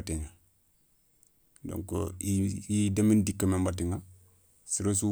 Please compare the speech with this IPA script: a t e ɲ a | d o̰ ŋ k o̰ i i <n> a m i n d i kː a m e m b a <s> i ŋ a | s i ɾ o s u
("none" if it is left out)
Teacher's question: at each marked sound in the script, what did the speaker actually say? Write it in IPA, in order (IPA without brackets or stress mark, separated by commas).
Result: d, t